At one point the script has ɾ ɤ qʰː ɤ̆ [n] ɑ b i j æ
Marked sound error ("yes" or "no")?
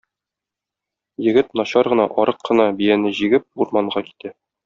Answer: no